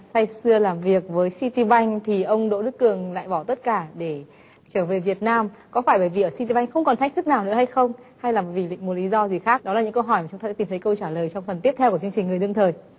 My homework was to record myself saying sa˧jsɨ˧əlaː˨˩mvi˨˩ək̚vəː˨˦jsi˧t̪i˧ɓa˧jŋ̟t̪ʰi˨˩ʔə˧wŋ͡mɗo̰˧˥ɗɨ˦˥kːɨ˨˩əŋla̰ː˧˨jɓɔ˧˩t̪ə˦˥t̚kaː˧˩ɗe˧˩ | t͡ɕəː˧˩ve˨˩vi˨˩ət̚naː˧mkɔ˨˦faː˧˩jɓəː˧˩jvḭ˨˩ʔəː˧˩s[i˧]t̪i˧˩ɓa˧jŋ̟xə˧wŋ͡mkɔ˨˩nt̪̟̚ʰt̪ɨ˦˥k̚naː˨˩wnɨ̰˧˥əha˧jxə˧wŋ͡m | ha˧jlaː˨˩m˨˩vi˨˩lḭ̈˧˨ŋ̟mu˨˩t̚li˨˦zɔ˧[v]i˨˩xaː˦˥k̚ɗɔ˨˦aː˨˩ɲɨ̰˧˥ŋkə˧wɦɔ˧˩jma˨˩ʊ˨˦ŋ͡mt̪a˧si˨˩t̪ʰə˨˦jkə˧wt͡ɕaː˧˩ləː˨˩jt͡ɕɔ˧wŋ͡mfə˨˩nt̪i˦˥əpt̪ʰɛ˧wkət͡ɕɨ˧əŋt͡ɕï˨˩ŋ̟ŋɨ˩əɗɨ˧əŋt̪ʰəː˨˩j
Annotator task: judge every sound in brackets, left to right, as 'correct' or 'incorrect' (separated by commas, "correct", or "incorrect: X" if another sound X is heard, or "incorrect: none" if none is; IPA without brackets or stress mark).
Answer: correct, incorrect: z